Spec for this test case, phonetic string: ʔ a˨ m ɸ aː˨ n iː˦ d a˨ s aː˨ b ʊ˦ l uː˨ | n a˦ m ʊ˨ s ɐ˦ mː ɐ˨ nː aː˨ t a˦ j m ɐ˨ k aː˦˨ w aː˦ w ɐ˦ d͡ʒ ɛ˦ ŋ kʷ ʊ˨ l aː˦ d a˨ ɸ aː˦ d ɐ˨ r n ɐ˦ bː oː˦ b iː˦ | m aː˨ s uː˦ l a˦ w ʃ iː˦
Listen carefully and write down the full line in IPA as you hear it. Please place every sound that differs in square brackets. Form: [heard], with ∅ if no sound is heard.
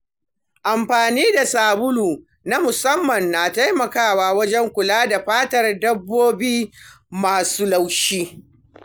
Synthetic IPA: ʔ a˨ m ɸ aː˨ n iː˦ d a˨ s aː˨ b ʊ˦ l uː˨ | n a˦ m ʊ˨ s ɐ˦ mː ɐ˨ nː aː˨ t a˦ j m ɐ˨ k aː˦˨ w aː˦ w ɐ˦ d͡ʒ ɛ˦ ŋ kʷ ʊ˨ l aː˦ d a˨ ɸ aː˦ [t] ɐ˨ r [d] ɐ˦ bː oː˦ b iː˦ | m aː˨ s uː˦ l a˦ w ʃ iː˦